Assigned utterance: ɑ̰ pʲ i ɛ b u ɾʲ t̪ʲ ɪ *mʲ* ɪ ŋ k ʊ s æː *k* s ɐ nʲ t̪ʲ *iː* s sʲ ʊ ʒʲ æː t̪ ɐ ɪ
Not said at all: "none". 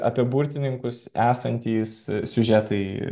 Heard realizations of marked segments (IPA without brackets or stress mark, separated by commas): nʲ, none, iː